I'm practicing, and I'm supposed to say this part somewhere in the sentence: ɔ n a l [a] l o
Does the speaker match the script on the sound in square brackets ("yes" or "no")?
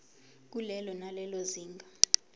no